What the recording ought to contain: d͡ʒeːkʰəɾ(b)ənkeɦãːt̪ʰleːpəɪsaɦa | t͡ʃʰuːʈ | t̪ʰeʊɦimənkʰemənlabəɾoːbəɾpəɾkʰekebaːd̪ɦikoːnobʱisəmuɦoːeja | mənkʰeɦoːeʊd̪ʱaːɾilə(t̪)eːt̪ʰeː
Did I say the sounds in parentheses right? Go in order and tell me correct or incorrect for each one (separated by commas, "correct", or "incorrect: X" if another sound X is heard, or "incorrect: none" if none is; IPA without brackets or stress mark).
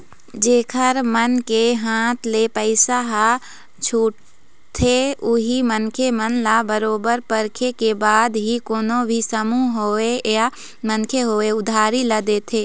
incorrect: m, incorrect: d̪